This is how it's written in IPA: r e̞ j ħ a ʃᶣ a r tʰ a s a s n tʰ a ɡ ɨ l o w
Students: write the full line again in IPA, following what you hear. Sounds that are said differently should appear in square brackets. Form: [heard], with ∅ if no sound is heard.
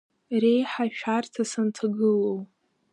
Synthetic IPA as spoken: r e̞ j ħ a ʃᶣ a r tʰ a s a [∅] n tʰ a ɡ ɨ l o w